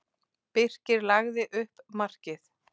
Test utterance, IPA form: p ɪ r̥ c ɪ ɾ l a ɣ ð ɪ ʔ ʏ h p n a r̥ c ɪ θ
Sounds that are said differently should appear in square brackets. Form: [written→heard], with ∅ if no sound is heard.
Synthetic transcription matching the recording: p ɪ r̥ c ɪ ɾ l a ɣ ð ɪ ʔ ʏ h p [n→m] a r̥ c ɪ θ